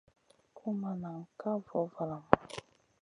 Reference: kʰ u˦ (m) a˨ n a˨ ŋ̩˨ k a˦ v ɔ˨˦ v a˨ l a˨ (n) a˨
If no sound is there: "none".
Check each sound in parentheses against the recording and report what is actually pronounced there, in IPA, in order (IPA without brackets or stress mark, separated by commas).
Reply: m, m